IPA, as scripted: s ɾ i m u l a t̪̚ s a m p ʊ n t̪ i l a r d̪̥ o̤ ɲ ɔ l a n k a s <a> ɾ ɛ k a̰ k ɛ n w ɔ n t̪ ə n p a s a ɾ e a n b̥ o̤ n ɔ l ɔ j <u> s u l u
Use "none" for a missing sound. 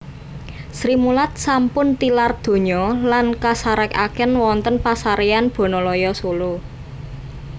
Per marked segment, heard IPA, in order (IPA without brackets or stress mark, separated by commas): a, ɔ